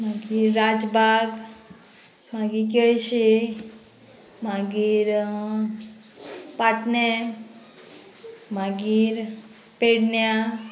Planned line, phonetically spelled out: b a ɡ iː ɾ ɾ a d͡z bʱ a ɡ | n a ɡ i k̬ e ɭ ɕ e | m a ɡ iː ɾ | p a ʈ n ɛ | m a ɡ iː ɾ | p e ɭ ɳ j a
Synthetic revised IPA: m a ɡ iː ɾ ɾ a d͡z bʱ a ɡ | m a ɡ i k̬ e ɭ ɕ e | m a ɡ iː ɾ | p a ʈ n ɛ | m a ɡ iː ɾ | p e ɽ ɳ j a

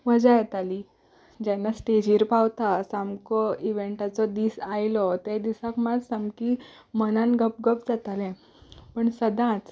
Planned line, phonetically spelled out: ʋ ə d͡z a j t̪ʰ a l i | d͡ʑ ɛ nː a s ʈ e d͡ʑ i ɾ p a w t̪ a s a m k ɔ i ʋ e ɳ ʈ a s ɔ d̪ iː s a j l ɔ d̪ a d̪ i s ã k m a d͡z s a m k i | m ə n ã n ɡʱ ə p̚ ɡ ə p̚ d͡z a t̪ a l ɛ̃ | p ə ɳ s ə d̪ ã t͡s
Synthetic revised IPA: ʋ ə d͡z a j t̪ a l i | d͡ʑ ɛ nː a s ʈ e d͡ʑ i ɾ p a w t̪ a s a m k ɔ i ʋ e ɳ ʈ a t͡s ɔ d̪ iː s a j l ɔ t̪ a d̪ i s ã k m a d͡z s a m k i | m ə n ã n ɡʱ ə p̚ ɡ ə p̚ d͡z a t̪ a l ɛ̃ | p ə ɳ s ə d̪ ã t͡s

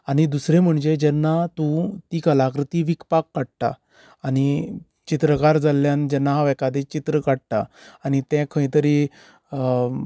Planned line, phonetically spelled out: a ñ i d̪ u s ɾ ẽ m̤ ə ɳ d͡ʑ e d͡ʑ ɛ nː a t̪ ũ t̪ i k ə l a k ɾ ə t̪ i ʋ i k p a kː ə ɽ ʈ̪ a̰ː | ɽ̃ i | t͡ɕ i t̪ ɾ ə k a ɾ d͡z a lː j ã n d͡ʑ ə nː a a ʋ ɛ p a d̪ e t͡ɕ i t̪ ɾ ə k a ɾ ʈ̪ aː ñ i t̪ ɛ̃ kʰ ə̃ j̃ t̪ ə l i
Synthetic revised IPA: a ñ i d̪ u s ɾ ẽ m̤ ə ɳ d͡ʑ e d͡ʑ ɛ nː a t̪ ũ t̪ i k ə l a k ɾ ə t̪ i ʋ i k p a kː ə ɽ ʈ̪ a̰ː | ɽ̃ i | t͡ɕ i t̪ ɾ ə k a ɾ d͡z a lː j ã n d͡ʑ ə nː a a ʋ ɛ k a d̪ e t͡ɕ i t̪ ɾ ə k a ɽ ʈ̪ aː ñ i t̪ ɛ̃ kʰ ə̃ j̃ t̪ ə ɾ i

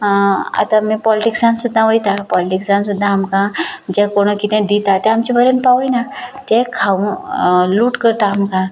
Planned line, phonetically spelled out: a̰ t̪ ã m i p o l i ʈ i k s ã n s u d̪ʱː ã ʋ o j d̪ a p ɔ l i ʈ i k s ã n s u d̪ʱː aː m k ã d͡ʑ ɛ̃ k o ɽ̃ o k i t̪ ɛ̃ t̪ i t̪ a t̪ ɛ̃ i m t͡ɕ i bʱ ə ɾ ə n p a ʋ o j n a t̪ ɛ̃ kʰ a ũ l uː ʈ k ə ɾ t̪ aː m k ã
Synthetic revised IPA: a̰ t̪ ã m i p ɔ l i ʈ i k s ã n s u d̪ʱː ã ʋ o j t̪ a p ɔ l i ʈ i k s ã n s u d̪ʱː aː m k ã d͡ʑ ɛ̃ k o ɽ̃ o k i t̪ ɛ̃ d̪ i t̪ a t̪ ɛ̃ a m t͡ɕ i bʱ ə ɾ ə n p a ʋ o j n a t̪ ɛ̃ kʰ a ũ l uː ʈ k ə ɾ t̪ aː m k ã

